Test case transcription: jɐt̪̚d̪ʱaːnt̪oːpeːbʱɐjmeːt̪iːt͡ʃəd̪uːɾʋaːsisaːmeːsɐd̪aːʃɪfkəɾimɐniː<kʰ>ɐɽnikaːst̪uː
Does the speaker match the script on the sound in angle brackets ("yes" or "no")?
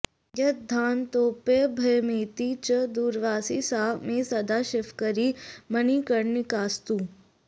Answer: no